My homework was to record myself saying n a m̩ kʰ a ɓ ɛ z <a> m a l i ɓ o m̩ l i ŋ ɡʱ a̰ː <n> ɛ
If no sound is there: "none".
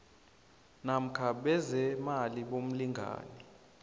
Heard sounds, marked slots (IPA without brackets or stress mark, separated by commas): ɛ, n